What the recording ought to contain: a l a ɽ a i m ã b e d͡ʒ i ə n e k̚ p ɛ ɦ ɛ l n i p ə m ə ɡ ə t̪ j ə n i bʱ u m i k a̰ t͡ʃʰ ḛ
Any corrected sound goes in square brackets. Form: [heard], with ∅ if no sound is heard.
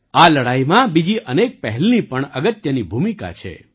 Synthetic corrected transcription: a l [ə] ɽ a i m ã b [i] d͡ʒ i ə n e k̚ p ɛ ɦ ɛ l n i p ə [ɳ] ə ɡ ə t̪ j ə n i bʱ u m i k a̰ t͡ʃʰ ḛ